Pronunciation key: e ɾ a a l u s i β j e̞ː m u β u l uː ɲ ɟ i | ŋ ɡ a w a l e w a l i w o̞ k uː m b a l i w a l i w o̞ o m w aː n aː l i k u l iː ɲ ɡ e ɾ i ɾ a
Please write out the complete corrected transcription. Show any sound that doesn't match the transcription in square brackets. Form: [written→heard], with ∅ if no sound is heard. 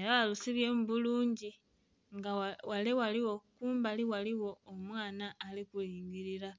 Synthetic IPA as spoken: e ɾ a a l u s i β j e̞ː m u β u l uː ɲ ɟ i | ŋ ɡ a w a l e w a l i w o̞ k uː m b a l i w a l i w o̞ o m w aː n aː l i k u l iː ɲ ɡ [e→i] ɾ i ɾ a